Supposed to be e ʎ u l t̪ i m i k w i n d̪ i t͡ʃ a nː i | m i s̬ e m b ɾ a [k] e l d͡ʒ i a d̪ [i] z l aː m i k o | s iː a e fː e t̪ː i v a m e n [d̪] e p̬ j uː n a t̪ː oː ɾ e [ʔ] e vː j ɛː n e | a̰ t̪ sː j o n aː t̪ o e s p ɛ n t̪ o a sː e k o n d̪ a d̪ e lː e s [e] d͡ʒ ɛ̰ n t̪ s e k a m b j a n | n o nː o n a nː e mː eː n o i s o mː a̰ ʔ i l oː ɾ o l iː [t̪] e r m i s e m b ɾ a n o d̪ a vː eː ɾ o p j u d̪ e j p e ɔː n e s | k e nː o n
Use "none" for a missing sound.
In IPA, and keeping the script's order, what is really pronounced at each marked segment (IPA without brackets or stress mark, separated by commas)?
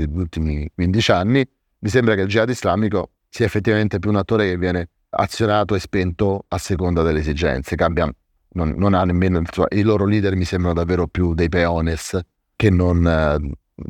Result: k, i, t̪, k, i, d̪